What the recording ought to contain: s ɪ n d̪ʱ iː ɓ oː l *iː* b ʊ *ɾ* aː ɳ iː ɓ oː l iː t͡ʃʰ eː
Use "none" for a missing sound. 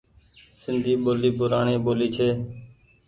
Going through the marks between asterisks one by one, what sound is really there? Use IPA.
iː, ɾ

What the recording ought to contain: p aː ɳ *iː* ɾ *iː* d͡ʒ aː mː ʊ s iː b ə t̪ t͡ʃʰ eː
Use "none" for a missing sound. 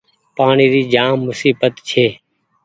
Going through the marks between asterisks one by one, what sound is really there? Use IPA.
iː, iː

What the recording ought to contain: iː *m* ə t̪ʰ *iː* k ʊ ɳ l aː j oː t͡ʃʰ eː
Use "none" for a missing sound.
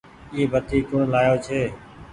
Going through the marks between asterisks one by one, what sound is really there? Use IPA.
b, iː

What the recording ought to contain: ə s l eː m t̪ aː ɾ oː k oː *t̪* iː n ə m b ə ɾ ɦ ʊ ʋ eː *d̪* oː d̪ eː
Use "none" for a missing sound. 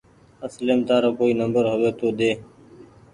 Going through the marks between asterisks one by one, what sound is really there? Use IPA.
none, t̪

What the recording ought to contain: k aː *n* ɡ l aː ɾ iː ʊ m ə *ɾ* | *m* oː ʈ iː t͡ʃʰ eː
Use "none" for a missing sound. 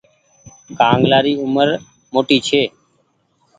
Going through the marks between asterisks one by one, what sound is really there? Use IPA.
ŋ, ɾ, m

